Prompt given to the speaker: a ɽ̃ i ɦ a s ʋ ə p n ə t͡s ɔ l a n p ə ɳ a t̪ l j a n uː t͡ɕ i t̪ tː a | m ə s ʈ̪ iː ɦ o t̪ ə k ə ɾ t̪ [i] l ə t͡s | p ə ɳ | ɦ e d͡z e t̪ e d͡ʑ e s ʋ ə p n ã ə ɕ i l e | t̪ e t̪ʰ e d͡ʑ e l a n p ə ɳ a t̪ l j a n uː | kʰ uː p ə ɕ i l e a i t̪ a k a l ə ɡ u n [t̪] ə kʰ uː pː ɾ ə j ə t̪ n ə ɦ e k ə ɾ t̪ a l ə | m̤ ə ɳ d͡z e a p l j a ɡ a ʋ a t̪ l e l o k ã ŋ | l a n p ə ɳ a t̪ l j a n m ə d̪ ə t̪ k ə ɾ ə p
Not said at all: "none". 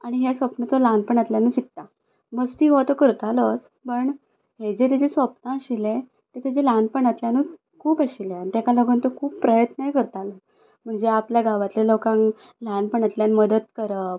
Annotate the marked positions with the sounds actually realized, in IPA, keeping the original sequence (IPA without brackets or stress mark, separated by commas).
a, t̪